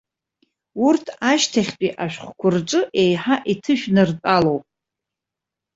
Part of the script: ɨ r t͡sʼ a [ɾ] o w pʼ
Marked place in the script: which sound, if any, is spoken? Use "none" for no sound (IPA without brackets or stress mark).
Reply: l